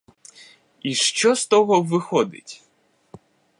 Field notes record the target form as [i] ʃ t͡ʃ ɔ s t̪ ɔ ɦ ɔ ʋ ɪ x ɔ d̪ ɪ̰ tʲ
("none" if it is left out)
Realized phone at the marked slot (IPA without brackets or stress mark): i